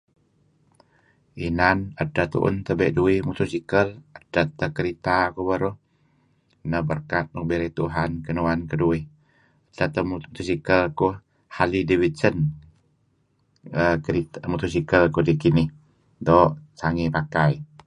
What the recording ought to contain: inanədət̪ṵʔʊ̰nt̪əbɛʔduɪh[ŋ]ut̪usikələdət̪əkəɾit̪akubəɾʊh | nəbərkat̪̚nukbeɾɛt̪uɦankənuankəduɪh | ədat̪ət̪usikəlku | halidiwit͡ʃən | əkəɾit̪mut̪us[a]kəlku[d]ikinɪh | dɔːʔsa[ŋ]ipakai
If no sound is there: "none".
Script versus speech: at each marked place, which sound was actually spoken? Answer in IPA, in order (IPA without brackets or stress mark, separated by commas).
m, i, d, ŋ